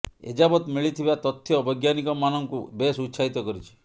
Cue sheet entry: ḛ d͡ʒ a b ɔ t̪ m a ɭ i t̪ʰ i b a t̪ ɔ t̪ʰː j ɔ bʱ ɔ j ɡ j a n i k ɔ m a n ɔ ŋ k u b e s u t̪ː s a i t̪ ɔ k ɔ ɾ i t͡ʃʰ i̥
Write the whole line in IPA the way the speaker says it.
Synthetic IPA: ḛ d͡ʒ a b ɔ t̪ m i ɭ i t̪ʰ i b a t̪ ɔ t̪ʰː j ɔ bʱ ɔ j ɡ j a n i k ɔ m a n ɔ ŋ k u b e s u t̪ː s a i t̪ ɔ k ɔ ɾ i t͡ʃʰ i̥